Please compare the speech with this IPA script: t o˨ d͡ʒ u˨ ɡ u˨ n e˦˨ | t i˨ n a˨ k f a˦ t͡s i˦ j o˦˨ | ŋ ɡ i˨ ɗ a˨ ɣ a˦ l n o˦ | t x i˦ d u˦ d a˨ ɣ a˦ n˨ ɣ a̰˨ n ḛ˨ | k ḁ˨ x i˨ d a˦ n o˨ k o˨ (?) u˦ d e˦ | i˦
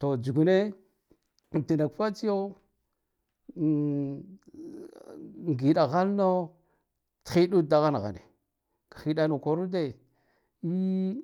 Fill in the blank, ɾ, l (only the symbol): ɾ